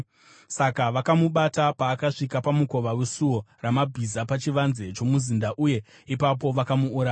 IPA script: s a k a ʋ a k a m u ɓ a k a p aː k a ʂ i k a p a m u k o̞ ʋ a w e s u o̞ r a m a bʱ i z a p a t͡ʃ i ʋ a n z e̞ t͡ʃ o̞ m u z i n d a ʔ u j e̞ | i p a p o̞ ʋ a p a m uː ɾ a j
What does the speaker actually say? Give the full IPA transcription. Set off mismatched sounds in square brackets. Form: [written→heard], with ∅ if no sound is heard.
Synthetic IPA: s a k a ʋ a k a m u ɓ a [k→t] a p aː k a ʂ i k a p a m u k o̞ ʋ a w e s u o̞ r a m a bʱ i z a p a t͡ʃ i ʋ a n z e̞ t͡ʃ o̞ m u z i n d a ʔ u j e̞ | i p a p o̞ ʋ a [p→k] a m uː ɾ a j